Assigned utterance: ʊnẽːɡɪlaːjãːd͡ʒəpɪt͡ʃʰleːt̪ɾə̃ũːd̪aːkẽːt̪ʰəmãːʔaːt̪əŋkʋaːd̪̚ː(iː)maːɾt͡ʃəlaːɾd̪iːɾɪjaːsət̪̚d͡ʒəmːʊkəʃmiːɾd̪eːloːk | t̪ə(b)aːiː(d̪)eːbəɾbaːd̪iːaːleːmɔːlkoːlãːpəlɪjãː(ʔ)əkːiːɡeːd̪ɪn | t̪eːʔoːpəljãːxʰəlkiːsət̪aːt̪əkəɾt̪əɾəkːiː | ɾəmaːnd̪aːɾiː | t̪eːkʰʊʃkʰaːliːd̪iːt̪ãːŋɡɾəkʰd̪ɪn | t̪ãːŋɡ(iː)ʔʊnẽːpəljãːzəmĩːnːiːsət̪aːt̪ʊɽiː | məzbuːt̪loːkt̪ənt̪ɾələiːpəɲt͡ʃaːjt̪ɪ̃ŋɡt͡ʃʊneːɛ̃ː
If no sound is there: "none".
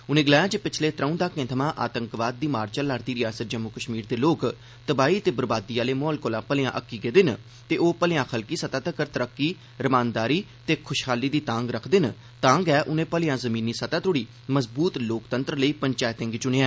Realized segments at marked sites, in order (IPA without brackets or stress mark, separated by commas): iː, b, t̪, ʔ, ɛː